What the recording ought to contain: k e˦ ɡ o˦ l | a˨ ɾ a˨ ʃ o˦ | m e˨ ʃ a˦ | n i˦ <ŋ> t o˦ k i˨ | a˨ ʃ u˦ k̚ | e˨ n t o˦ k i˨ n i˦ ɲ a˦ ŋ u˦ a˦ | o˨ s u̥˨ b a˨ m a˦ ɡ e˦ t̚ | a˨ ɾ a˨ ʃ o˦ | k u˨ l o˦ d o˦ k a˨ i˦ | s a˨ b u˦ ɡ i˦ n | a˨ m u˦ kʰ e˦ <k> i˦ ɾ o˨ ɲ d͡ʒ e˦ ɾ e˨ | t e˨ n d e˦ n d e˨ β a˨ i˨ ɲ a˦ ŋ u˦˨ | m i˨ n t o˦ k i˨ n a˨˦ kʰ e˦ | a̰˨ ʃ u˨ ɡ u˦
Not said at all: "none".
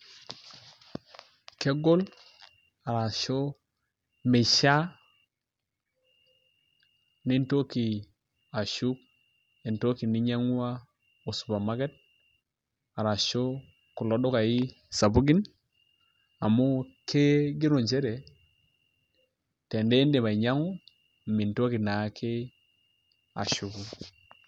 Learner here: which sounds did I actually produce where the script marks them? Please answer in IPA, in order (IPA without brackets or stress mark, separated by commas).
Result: n, ɡ